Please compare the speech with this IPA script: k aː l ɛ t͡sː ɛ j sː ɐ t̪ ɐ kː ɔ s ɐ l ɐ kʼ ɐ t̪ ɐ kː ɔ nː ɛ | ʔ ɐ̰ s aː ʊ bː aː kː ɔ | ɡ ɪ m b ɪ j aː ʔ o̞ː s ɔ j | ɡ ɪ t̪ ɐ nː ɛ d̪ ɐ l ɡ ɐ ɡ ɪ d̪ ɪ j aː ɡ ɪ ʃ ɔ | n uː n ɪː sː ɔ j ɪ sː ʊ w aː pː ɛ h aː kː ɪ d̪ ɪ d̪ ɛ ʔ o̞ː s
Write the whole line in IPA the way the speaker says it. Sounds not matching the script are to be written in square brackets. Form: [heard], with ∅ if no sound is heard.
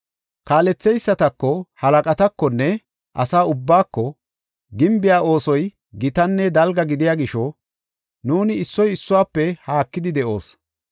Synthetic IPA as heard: k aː l ɛ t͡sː ɛ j sː ɐ t̪ ɐ kː ɔ [h] ɐ l ɐ kʼ ɐ t̪ ɐ kː ɔ nː ɛ | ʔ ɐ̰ s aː ʊ bː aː kː ɔ | ɡ ɪ m b ɪ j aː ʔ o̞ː s ɔ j | ɡ ɪ t̪ ɐ nː ɛ d̪ ɐ l ɡ ɐ ɡ ɪ d̪ ɪ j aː ɡ ɪ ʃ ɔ | n uː n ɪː sː ɔ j ɪ sː ʊ w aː pː ɛ h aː kː ɪ d̪ ɪ d̪ ɛ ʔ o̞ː s